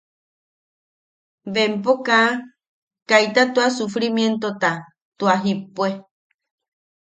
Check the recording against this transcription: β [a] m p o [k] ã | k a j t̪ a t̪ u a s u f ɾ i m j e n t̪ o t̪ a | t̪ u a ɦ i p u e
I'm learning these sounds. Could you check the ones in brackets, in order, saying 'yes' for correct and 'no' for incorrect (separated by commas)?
no, yes